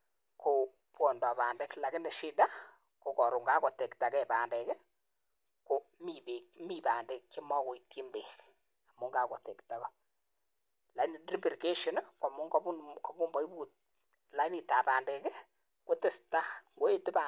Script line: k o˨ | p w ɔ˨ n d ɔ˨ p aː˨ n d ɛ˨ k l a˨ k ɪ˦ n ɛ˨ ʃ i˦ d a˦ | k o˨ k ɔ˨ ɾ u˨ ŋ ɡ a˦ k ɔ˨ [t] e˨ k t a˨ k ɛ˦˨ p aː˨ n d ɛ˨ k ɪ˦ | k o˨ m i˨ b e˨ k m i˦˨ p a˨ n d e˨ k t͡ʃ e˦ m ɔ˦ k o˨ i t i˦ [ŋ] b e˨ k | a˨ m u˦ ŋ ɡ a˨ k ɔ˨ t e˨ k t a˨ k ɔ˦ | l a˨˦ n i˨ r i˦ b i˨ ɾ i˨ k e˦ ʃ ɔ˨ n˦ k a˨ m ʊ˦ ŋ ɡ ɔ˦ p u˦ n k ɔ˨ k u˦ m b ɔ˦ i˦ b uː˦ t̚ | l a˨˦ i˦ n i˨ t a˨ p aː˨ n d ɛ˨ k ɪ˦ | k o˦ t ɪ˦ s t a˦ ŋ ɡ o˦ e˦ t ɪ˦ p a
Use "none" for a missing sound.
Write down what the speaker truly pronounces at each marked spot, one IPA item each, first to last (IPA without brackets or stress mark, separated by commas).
t, m